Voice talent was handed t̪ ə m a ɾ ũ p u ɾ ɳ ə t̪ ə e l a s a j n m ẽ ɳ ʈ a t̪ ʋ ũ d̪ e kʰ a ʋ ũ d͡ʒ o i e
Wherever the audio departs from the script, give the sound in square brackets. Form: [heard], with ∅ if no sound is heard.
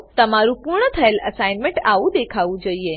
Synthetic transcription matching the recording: t̪ ə m a ɾ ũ p u ɾ ɳ ə [t̪ʰ] ə e l [ə] s a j n m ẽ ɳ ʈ a [∅] ʋ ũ d̪ e kʰ a ʋ ũ d͡ʒ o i e

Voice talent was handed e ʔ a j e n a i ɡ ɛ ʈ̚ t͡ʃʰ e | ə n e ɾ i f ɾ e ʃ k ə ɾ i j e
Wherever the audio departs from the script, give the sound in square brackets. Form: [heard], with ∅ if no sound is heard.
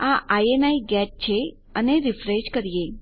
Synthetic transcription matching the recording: [a] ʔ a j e n a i ɡ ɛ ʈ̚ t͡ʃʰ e | ə n e ɾ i f ɾ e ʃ k ə ɾ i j e

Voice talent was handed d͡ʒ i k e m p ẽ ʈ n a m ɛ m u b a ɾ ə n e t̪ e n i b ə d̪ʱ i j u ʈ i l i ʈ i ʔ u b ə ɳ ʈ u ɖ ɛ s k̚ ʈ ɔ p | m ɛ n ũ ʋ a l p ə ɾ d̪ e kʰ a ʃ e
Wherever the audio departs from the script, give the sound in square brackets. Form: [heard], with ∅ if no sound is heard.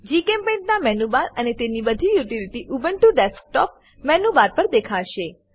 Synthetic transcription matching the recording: d͡ʒ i k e m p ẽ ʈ n a m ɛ [n] u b a ɾ ə n e t̪ e n i b ə d̪ʱ i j u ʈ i l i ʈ i ʔ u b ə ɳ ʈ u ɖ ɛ s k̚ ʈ ɔ p | m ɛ n [u] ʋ a [ɾ] p ə ɾ d̪ e kʰ a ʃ e

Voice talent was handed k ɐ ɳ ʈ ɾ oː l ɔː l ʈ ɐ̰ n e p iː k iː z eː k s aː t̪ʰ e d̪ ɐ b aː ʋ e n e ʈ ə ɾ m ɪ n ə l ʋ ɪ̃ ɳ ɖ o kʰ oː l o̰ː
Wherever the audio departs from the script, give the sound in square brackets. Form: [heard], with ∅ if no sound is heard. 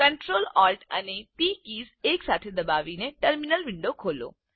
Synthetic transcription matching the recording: k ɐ ɳ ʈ ɾ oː l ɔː l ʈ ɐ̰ n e p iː k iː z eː k s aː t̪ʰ e d̪ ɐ b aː ʋ [i] n e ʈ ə ɾ m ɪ n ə l ʋ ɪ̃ ɳ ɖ o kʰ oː l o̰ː

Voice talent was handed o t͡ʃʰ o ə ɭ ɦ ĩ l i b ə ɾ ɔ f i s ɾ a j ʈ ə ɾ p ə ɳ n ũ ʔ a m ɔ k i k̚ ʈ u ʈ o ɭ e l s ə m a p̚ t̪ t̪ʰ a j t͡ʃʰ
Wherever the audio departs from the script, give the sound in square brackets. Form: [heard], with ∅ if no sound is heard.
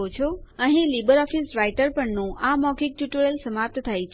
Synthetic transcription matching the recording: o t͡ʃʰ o ə [∅] ɦ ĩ l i b ə ɾ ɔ f i s ɾ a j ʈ ə ɾ p ə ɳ n ũ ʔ a m ɔ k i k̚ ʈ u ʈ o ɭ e l s ə m a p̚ t̪ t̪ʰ a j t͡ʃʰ

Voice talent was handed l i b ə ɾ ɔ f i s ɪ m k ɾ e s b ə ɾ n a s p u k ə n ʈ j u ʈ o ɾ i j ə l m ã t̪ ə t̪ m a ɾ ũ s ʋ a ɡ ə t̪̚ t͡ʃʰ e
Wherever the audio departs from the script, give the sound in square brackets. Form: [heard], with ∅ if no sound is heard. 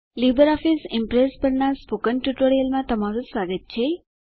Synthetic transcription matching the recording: l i b ə ɾ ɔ f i s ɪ m [p] ɾ e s [p] ə ɾ n a s p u k ə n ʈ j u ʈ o ɾ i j ə l m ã t̪ ə [∅] m a ɾ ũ s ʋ a ɡ ə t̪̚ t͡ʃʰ e

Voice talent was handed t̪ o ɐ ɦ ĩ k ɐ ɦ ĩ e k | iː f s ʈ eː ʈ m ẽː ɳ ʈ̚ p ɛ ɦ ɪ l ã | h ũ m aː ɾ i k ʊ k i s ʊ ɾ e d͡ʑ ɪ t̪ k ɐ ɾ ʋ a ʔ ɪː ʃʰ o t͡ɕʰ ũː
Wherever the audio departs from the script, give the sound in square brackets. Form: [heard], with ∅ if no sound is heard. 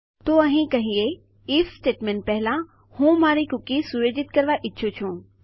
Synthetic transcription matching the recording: t̪ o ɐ ɦ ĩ k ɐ ɦ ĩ e [∅] | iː f s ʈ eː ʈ m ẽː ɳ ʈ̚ p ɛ ɦ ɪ l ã | h ũ m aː ɾ i k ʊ k i s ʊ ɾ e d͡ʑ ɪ t̪ k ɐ ɾ ʋ a ʔ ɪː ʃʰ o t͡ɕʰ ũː

